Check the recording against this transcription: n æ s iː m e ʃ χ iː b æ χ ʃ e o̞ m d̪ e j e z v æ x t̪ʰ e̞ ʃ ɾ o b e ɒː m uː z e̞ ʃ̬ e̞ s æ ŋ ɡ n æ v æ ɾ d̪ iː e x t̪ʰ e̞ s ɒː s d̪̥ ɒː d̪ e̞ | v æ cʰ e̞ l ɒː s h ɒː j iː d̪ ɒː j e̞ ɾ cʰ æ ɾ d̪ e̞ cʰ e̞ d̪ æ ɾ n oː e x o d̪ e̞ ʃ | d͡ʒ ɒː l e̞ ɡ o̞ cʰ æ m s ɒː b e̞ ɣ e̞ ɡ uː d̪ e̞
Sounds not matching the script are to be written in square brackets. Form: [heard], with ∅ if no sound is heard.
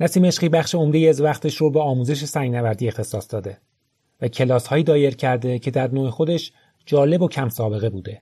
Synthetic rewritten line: n æ s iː m e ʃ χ iː b æ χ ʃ e o̞ m d̪ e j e z v æ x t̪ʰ e̞ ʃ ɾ o b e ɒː m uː z e̞ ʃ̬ e̞ s æ ŋ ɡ n æ v æ ɾ d̪ iː e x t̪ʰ e̞ s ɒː s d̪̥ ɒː d̪ e̞ | v æ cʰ e̞ l ɒː s h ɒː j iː d̪ ɒː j e̞ ɾ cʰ æ ɾ d̪ e̞ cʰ e̞ d̪ æ ɾ n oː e x o d̪ e̞ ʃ | d͡ʒ ɒː l e̞ [b] o̞ cʰ æ m s ɒː b e̞ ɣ e̞ [b] uː d̪ e̞